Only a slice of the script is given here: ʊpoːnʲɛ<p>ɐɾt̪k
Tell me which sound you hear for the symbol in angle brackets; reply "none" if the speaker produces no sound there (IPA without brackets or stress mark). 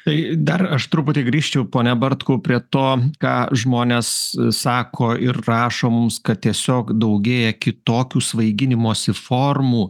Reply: b